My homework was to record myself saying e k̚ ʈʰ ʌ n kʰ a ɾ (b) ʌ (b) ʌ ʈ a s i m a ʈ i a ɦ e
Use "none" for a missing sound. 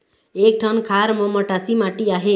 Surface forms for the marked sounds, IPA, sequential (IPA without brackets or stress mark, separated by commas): m, m